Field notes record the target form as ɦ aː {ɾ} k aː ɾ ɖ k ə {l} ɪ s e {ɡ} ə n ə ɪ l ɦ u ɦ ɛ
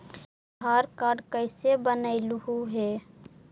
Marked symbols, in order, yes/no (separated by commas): yes, no, no